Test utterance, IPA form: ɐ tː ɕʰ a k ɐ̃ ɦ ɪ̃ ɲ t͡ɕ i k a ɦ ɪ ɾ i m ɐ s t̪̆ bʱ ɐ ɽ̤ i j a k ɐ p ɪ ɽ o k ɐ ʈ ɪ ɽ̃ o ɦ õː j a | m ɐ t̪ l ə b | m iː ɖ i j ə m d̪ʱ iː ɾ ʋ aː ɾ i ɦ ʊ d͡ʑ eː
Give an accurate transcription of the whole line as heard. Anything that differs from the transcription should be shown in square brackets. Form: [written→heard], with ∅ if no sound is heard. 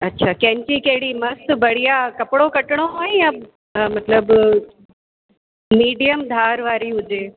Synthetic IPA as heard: ɐ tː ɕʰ a k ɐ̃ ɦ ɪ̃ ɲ t͡ɕ i k [a→ɐ] ɦ ɪ [ɾ→ɽ] i m ɐ s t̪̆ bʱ ɐ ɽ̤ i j a k ɐ p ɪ ɽ o k ɐ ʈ ɪ ɽ̃ o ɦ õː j a | m ɐ t̪ l ə b | m iː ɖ i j ə m d̪ʱ [iː→aː] ɾ ʋ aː ɾ i ɦ ʊ d͡ʑ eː